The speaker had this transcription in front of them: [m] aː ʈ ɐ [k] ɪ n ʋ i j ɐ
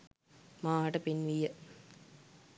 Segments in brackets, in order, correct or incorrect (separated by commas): correct, incorrect